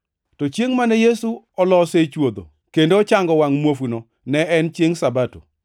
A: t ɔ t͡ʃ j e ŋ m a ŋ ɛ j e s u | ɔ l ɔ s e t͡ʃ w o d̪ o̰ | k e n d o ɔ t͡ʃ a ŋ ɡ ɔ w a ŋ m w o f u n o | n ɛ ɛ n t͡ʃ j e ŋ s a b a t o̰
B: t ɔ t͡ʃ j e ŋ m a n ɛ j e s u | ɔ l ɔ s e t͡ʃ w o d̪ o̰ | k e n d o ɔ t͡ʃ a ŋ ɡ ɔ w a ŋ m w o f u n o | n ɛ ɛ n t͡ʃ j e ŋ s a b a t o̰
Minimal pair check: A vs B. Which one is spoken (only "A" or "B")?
B